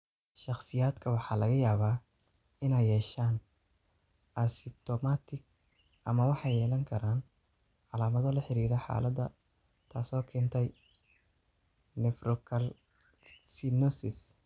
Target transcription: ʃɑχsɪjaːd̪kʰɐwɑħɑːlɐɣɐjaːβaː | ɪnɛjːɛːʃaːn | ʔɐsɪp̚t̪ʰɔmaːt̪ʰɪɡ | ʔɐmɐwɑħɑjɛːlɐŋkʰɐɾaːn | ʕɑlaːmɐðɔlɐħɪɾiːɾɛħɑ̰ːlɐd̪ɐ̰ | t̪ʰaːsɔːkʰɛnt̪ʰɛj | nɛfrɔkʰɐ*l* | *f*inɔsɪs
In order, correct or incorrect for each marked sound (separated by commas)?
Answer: correct, incorrect